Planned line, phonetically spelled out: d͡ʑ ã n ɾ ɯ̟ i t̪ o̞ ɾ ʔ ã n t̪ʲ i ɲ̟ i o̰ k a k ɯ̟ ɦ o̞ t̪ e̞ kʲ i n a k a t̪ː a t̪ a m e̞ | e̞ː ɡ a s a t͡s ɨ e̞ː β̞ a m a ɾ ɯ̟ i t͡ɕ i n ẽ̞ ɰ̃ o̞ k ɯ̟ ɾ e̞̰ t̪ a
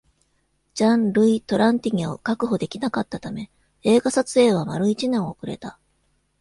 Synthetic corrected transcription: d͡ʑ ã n ɾ ɯ̟ i t̪ o̞ ɾ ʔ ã n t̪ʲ i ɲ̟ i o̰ k a k ɯ̟ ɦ o̞ d̪ e̞ kʲ i n a k a t̪ː a t̪ a m e̞ | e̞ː ɡ a s a t͡s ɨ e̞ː β̞ a m a ɾ ɯ̟ i t͡ɕ i n ẽ̞ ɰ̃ o̞ k ɯ̟ ɾ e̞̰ t̪ a